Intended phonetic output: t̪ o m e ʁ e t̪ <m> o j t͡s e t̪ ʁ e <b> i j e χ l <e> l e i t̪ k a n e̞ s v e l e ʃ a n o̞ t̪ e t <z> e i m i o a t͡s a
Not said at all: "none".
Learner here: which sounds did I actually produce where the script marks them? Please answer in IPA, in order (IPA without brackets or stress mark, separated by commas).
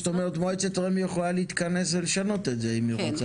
m, m, a, z